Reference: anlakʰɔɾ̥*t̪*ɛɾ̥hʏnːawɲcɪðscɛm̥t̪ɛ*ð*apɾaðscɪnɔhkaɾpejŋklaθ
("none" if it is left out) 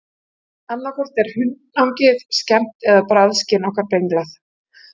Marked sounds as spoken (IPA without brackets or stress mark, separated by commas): t̪, ð